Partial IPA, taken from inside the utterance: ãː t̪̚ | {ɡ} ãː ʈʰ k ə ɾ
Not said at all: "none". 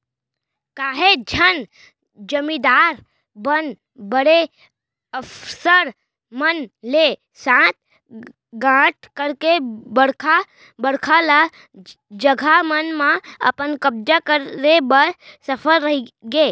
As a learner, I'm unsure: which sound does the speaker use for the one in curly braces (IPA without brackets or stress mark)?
ɡ